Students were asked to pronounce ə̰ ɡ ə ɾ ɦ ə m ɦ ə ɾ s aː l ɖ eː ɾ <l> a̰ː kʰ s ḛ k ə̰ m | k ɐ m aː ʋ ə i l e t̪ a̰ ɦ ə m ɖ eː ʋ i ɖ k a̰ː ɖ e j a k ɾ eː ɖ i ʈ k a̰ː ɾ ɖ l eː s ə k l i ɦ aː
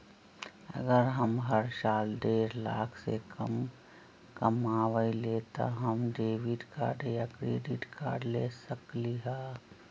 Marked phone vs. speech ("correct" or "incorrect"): correct